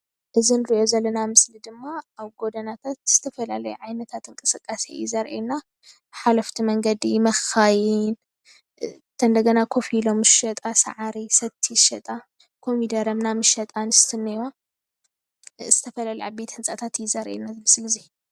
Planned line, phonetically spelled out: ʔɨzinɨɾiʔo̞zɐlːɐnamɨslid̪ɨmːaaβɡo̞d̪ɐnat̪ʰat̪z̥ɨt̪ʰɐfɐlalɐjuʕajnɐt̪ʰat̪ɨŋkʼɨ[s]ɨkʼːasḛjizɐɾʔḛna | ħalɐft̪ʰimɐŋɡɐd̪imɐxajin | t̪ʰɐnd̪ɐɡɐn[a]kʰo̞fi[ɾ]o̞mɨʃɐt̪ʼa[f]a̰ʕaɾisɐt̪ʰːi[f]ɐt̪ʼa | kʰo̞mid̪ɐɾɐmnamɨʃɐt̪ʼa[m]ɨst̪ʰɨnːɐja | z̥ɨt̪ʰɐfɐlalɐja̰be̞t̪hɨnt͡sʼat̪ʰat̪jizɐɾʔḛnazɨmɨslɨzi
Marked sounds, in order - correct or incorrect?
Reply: correct, correct, incorrect, incorrect, incorrect, incorrect

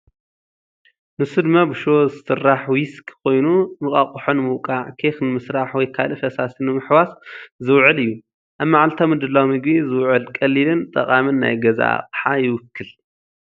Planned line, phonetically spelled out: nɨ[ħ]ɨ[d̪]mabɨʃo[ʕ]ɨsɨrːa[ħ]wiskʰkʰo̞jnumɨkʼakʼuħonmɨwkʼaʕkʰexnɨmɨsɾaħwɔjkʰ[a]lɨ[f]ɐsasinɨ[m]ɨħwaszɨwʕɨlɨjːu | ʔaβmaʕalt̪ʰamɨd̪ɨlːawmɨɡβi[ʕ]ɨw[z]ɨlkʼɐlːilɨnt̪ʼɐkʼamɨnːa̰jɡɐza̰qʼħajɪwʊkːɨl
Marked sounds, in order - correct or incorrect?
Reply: incorrect, correct, incorrect, correct, correct, correct, correct, incorrect, incorrect

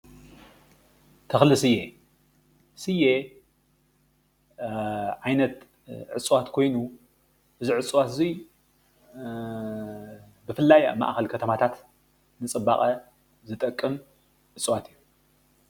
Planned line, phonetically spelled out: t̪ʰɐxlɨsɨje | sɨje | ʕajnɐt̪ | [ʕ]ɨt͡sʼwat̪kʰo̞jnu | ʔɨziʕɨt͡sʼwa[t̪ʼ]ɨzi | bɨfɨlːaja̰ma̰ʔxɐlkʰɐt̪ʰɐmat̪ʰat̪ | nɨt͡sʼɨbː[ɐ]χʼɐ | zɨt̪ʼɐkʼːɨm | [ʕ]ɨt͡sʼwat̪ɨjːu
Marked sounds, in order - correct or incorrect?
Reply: correct, incorrect, incorrect, correct

